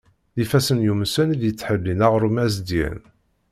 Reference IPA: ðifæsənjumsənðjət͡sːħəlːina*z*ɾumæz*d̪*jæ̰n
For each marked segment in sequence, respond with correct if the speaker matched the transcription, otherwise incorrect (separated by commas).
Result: incorrect, correct